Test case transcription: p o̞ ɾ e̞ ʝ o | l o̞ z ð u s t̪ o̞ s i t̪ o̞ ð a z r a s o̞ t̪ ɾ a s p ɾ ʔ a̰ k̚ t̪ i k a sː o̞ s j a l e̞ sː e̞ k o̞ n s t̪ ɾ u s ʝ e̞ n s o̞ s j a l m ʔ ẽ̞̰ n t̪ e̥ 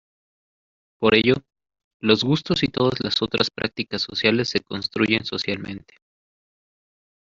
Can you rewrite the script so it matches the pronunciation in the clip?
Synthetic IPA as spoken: p o̞ ɾ e̞ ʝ o | l o̞ z ɣ u s t̪ o̞ s i t̪ o̞ ð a z l a s o̞ t̪ ɾ a s p ɾ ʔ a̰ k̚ t̪ i k a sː o̞ s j a l e̞ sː e̞ k o̞ n s t̪ ɾ u ʝ e̞ n s o̞ s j a l m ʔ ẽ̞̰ n t̪ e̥